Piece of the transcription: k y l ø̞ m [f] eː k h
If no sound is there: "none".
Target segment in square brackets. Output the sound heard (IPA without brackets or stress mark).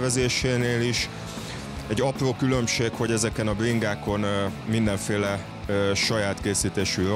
ʃ